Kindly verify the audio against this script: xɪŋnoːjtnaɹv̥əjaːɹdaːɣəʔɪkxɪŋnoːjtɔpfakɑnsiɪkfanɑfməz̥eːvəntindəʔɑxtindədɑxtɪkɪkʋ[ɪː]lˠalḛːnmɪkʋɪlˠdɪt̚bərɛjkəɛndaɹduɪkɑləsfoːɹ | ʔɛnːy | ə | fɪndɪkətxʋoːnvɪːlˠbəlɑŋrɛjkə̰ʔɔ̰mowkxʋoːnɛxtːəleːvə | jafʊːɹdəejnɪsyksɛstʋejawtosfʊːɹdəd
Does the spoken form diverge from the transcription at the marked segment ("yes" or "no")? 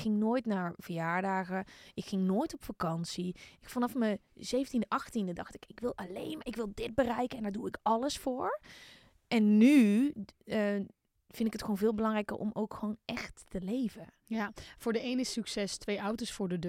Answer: yes